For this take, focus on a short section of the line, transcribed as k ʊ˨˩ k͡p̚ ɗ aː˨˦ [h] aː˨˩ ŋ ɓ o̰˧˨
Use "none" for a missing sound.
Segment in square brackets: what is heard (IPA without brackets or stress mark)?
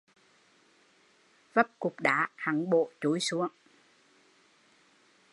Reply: h